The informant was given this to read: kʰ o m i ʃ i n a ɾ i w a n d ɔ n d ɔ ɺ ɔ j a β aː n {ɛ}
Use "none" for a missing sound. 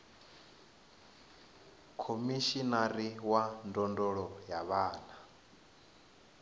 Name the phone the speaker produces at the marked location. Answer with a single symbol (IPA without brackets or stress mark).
a